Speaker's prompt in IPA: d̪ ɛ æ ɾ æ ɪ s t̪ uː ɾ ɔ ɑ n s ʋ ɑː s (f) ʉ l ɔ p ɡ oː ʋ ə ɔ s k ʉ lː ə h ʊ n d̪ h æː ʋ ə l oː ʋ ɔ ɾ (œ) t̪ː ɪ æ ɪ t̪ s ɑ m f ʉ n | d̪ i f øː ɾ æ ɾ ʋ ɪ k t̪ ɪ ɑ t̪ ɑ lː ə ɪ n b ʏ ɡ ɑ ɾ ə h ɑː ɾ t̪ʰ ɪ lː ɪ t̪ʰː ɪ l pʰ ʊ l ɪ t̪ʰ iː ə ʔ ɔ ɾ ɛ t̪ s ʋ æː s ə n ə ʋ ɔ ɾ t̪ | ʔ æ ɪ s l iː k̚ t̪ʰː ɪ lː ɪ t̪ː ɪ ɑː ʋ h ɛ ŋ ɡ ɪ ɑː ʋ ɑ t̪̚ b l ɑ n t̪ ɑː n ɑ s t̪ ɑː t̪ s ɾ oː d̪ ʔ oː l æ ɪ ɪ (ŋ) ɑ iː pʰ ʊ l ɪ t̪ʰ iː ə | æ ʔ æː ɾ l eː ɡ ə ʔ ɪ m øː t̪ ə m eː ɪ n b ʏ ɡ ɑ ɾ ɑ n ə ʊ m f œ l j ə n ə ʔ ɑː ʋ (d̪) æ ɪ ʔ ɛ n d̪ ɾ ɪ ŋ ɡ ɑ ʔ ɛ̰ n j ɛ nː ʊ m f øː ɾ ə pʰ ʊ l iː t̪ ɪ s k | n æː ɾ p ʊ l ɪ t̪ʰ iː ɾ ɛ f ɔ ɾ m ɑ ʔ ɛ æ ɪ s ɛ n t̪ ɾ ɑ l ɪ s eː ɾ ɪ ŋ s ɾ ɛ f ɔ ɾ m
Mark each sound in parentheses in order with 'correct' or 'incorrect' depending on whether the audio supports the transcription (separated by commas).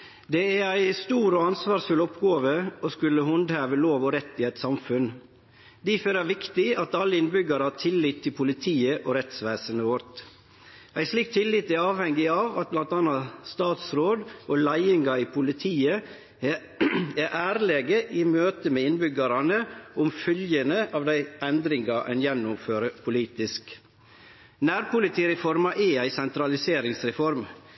correct, incorrect, correct, correct